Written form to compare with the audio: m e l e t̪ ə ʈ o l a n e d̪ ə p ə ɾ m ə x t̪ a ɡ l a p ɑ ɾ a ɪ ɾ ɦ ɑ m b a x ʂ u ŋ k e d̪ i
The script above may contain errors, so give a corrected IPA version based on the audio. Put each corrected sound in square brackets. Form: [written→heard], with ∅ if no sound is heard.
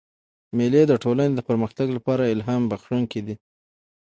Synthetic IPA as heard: m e l e [t̪→d̪] ə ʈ o l a n e d̪ ə p ə ɾ m ə x t̪ a ɡ l a p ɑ ɾ a ɪ [ɾ→l] ɦ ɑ m b a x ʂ u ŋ k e d̪ i